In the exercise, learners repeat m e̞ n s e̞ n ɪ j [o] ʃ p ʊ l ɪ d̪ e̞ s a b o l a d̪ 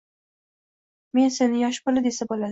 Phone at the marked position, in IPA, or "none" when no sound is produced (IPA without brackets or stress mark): ɒ